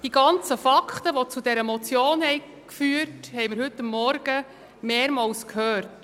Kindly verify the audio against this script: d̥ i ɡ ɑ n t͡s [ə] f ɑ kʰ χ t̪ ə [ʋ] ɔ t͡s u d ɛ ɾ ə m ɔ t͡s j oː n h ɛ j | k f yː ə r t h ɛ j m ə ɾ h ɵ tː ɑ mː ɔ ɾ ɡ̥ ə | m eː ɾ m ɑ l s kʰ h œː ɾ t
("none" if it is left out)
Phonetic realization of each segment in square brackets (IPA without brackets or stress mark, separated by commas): ə, ʋ